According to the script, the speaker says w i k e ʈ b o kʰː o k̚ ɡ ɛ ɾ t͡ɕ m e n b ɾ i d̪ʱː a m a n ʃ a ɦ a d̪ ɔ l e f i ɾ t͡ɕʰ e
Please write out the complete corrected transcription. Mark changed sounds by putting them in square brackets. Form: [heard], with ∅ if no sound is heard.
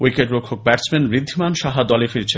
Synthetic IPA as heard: w i k e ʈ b o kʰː o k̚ [b] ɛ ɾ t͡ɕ m e n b ɾ i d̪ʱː [i] m a n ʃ a ɦ a d̪ ɔ l e f i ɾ t͡ɕʰ e